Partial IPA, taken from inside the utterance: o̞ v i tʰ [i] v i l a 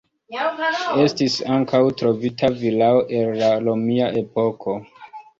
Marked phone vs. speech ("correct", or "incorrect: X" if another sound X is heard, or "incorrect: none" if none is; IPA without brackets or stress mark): incorrect: a